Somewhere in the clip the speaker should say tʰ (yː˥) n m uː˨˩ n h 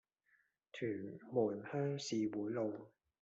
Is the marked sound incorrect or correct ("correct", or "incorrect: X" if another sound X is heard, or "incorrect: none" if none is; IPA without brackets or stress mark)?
incorrect: yː˨˩